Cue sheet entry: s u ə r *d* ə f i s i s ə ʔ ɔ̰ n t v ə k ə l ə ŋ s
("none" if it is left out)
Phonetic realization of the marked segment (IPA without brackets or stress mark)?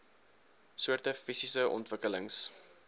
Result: t